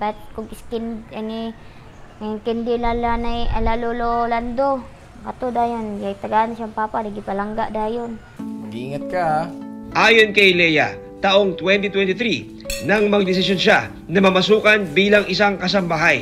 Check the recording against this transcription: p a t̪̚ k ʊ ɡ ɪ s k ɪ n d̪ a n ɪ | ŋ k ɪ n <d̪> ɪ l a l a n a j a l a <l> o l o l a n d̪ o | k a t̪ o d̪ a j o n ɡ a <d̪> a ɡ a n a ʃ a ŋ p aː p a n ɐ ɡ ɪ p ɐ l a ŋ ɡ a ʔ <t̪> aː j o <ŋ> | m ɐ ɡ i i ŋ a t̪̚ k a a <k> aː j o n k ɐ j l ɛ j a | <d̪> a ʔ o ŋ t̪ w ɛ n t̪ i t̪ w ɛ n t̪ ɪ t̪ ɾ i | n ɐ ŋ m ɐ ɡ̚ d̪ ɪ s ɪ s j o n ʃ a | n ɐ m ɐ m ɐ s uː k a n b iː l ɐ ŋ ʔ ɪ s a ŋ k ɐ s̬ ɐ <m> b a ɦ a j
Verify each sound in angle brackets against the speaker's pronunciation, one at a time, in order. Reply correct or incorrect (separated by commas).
correct, correct, incorrect, incorrect, incorrect, incorrect, incorrect, correct